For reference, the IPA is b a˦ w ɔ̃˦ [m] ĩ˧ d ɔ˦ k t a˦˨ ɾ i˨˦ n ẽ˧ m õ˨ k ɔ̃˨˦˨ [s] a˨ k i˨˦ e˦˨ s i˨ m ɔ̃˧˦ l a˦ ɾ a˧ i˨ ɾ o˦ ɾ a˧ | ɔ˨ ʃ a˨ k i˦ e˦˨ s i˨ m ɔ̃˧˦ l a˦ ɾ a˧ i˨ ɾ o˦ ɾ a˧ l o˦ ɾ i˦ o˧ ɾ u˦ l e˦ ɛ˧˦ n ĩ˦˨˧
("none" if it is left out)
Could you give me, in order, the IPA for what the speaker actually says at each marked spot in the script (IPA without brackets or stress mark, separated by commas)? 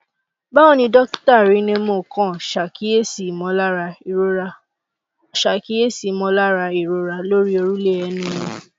n, ʃ